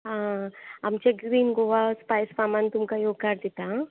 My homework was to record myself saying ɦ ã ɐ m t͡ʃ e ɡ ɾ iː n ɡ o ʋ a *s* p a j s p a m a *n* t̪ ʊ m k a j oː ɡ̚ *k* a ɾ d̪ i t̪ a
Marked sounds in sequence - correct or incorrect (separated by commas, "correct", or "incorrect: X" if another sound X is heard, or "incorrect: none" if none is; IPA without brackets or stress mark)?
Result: correct, correct, correct